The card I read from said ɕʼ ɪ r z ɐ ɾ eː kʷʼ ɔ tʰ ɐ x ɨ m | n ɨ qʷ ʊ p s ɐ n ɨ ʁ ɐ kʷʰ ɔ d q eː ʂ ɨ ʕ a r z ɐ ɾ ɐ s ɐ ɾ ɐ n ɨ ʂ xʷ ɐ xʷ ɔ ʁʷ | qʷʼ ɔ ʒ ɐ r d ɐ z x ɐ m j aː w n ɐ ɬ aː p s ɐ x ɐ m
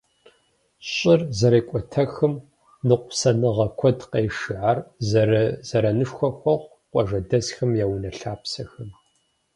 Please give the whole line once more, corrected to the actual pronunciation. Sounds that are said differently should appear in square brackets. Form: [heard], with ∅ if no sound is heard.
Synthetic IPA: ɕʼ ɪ r z ɐ ɾ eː kʷʼ ɔ tʰ ɐ x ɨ m | n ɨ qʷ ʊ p s ɐ n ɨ ʁ ɐ kʷʰ ɔ d q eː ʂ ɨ ʕ a r z ɐ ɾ ɐ [z] ɐ ɾ ɐ n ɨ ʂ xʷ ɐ xʷ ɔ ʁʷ | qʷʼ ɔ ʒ ɐ [∅] d ɐ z x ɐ m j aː w n ɐ ɬ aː p s ɐ x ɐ m